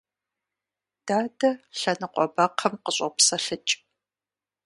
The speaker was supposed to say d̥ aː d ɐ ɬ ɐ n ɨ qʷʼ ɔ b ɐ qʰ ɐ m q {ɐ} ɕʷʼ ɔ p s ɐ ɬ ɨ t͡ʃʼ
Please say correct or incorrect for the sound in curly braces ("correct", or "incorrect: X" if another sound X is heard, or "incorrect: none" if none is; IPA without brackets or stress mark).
incorrect: ə